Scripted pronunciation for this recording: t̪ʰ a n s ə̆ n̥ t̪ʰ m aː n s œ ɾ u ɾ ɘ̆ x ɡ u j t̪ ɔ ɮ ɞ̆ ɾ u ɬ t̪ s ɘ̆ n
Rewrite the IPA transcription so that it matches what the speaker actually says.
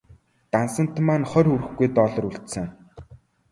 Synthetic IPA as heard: t̪ a n s ə̆ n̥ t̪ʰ m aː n χ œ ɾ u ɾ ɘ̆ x ɡ u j t̪ ɔ ɮ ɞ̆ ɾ u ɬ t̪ s ɘ̆ ŋ